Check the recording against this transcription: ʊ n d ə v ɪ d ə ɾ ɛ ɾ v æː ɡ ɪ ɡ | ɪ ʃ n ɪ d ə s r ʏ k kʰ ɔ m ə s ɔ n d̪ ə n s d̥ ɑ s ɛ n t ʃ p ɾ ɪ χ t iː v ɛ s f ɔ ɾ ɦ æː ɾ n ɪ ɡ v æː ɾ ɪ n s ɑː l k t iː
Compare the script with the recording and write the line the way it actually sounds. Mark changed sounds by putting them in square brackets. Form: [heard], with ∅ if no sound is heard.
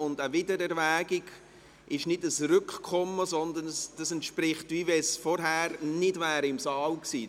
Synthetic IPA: ʊ n d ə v ɪ d ə ɾ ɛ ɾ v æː ɡ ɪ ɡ | ɪ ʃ n ɪ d ə s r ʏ k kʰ ɔ m ə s ɔ n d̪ ə n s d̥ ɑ s ɛ n t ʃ p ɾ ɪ χ t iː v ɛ s f ɔ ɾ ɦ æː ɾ n ɪ [d] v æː ɾ ɪ [m] s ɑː l k [s] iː